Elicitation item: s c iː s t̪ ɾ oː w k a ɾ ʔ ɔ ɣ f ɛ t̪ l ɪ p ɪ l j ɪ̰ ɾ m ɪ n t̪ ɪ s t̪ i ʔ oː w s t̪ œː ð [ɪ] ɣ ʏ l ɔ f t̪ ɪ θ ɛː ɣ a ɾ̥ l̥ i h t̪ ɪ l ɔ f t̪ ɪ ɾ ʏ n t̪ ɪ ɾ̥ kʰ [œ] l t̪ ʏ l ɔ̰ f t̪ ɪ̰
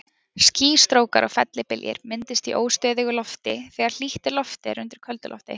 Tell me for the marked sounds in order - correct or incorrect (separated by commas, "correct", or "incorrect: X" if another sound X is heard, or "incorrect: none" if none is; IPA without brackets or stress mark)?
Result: correct, correct